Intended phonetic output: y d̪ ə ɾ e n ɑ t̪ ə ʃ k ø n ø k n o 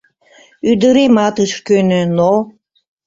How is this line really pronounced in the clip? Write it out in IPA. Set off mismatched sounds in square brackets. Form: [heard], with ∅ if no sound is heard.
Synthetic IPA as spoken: y d̪ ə ɾ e [m] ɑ t̪ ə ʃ k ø n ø [∅] n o